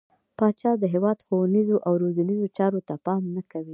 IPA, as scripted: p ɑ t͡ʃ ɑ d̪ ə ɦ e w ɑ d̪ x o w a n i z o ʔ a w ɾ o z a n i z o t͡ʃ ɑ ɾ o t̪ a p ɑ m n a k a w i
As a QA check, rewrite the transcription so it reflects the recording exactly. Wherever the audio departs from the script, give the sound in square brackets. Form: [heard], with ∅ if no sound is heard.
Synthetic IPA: p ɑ t͡ʃ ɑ d̪ ə ɦ e w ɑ d̪ x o w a n i z o ʔ a w ɾ o z a n i z o t͡ʃ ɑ ɾ o t̪ a p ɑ m n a k a w i